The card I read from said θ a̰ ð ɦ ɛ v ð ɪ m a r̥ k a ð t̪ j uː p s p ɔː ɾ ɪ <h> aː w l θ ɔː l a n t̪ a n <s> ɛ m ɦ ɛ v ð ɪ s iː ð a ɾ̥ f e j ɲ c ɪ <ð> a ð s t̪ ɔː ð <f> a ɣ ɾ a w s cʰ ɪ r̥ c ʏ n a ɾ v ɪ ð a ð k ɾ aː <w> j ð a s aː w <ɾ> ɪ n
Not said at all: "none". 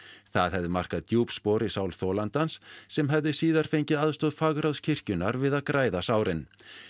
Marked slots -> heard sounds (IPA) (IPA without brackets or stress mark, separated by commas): s, sː, ð, f, none, ɾ